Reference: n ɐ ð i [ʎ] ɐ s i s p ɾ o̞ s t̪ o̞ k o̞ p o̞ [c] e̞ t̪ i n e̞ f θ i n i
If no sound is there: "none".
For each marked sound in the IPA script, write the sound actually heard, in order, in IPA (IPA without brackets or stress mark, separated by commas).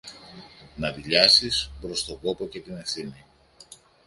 ʎ, c